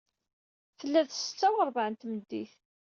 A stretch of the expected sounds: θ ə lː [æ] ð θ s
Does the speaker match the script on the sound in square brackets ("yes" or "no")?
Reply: yes